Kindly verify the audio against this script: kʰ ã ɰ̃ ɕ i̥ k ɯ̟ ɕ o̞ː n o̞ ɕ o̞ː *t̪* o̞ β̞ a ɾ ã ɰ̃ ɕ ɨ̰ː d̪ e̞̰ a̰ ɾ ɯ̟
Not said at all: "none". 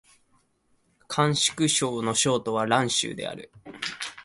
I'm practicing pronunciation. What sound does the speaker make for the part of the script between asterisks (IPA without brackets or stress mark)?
t̪